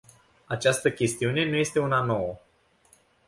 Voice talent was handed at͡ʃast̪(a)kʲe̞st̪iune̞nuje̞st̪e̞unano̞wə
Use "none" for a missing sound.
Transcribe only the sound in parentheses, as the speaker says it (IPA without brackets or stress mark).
ə